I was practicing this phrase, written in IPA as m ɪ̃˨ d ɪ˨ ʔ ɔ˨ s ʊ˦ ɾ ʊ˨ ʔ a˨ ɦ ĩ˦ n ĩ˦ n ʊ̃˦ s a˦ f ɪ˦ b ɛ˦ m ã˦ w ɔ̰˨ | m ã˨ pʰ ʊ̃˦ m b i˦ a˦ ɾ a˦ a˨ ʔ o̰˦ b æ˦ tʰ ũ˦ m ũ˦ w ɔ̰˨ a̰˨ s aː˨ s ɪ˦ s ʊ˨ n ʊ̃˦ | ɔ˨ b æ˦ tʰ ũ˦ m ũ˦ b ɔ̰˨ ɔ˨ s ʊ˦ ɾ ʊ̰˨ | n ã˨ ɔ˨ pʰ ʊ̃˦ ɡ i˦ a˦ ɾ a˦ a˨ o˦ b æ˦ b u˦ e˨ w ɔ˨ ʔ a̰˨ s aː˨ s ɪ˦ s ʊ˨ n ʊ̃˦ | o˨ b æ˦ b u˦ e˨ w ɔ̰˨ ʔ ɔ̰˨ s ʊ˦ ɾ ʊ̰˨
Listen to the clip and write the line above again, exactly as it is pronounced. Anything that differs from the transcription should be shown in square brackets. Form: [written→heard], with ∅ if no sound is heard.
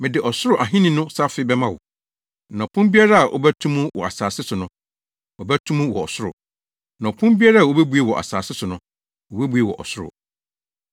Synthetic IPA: m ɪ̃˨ d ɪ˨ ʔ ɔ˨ s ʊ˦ ɾ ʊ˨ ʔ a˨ ɦ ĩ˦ n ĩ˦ n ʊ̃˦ s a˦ f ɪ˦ b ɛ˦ m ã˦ w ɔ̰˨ | [m→n] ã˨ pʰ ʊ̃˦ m b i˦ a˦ ɾ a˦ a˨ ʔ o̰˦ b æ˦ tʰ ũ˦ m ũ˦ w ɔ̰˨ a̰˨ s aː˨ s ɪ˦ s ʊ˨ n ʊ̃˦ | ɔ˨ b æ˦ tʰ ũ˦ m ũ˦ [b→w] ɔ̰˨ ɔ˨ s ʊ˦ ɾ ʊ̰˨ | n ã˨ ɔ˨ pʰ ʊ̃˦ [ɡ→b] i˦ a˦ ɾ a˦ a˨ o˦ b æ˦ b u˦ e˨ w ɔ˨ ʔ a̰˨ s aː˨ s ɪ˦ s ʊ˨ n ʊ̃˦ | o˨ b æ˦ b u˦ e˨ w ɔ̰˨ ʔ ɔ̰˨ s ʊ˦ ɾ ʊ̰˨